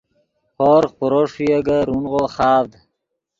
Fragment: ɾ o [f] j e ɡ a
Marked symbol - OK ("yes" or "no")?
no